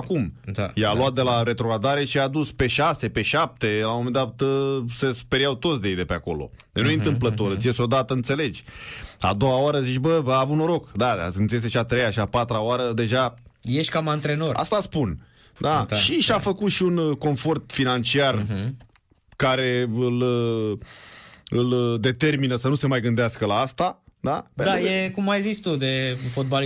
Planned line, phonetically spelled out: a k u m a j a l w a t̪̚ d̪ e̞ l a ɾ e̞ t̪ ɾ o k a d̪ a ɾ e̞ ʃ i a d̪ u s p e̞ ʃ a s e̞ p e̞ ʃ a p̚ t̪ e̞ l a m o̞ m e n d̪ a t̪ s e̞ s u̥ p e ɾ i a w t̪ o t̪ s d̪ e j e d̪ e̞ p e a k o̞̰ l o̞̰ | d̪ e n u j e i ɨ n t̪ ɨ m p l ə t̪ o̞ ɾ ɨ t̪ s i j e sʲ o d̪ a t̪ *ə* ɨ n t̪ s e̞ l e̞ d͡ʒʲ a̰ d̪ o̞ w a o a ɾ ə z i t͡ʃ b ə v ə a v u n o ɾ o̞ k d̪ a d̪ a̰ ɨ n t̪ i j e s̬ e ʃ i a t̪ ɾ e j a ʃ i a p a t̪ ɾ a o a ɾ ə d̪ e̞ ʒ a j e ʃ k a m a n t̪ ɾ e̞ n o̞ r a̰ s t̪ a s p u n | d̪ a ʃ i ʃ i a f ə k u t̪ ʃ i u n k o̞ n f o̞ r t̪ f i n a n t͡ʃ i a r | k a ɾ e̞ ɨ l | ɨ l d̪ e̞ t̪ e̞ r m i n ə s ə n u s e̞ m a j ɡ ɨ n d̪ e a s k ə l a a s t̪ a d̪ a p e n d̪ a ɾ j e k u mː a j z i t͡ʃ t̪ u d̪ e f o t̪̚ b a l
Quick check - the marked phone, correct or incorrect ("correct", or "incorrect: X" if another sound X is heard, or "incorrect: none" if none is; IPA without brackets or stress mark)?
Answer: correct